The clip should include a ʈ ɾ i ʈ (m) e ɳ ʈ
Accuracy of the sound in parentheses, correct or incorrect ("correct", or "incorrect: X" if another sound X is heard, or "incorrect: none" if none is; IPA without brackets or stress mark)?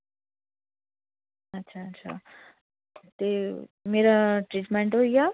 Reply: correct